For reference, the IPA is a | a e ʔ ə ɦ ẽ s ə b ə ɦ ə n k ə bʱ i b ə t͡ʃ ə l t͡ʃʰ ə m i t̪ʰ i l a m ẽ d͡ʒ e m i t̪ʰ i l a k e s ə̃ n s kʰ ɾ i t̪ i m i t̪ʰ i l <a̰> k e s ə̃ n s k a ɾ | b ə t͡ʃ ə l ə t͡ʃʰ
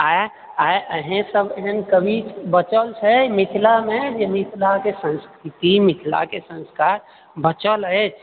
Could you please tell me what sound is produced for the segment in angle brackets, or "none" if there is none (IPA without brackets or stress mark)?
a̰